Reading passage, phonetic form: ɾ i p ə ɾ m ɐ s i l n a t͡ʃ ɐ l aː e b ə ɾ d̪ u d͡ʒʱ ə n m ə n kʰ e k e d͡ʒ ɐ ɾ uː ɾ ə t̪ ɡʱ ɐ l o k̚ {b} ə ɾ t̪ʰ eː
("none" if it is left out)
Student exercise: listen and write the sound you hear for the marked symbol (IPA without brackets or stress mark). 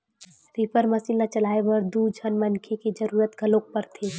p